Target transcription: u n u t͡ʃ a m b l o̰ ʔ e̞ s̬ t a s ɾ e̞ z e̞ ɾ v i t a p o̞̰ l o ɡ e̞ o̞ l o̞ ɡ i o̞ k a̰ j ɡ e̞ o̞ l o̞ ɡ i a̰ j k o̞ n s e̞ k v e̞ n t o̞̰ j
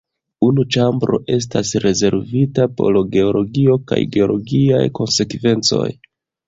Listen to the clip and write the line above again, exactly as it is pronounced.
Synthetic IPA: u n u t͡ʃ a m b ɾ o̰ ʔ e̞ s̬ t a s ɾ e̞ z e̞ ɾ v i t a p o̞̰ l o ɡ e̞ o̞ l o̞ ɡ i o̞ k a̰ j ɡ e̞ o̞ l o̞ ɡ i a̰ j k o̞ n s e̞ k v e̞ n t͡s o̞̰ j